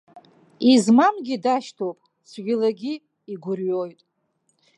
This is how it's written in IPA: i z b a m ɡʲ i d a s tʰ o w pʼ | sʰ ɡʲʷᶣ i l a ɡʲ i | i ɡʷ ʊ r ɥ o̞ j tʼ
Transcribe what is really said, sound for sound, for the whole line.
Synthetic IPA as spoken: i z m a m ɡʲ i d a ʃ tʰ o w pʼ | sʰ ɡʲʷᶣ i l a ɡʲ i | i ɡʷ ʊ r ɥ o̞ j tʼ